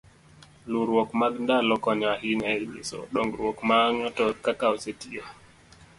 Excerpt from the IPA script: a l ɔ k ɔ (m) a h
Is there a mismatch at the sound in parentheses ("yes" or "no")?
yes